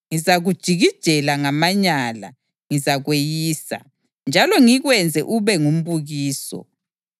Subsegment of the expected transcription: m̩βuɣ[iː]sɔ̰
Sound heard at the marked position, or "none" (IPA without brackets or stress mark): iː